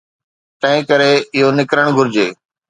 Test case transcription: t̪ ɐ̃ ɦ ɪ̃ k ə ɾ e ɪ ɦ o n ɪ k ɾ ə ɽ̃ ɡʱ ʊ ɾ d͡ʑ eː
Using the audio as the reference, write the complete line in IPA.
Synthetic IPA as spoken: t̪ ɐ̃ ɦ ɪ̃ k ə ɾ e ɪ ɦ o n ɪ k ɾ ə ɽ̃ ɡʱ ʊ ɾ d͡ʑ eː

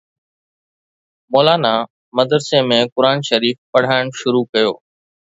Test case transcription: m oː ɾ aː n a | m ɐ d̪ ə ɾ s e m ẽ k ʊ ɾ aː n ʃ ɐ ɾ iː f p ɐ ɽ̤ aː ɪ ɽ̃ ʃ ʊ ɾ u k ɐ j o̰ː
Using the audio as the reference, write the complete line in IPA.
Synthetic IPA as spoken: m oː l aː n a | m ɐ d̪ ə ɾ s e m ẽ k ʊ ɾ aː n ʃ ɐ ɾ iː f p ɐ ɽ̤ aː ɪ ɽ̃ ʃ ʊ ɾ u k ɐ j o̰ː

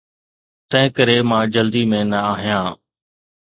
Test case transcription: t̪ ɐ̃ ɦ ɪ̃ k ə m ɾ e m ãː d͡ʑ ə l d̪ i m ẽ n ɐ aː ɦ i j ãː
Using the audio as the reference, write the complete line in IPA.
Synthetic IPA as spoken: t̪ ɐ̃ ɦ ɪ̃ k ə ɾ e m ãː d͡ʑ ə l d̪ i m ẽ n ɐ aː ɦ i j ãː

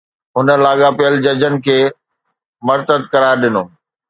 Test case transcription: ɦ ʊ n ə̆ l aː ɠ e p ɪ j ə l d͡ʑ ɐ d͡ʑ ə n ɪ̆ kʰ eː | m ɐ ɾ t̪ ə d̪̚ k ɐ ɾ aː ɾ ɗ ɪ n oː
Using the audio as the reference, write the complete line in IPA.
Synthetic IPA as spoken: ɦ ʊ n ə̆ l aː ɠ a p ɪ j ə l d͡ʑ ɐ d͡ʑ ə n ɪ̆ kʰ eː | m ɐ ɾ t̪ ə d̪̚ k ɐ ɾ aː ɾ ɗ ɪ n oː

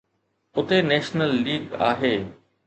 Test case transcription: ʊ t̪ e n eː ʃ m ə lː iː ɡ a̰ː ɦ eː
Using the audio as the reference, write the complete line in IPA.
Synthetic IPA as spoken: ʊ t̪ e n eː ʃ n ə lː iː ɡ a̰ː ɦ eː

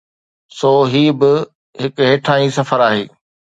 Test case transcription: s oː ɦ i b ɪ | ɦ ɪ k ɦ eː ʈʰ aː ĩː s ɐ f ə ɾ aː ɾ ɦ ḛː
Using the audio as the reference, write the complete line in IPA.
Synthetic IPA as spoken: s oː ɦ iː b ɪ | ɦ ɪ k ɦ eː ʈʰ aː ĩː s ɐ f ə ɾ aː ɦ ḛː

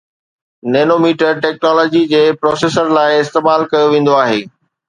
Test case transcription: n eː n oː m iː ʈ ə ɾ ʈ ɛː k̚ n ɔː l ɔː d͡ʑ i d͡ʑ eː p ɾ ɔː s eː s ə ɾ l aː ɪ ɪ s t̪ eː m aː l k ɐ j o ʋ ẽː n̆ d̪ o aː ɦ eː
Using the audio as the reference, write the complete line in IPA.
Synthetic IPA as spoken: n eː n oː m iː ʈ ə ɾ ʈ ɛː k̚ n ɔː l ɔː d͡ʑ i d͡ʑ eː p ɾ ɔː s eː s ə ɾ l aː ɪ ɪ s t̪ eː m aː l k ɐ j o ʋ ẽː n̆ d̪ o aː ɦ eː

